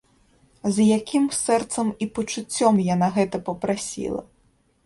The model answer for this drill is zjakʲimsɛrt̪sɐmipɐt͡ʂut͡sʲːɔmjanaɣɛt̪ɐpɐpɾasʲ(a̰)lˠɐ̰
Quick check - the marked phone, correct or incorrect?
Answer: incorrect